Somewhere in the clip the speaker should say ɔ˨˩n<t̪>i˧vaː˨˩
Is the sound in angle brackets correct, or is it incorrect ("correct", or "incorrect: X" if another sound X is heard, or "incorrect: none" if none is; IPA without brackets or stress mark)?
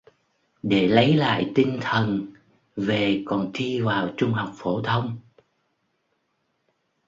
incorrect: t̪ʰ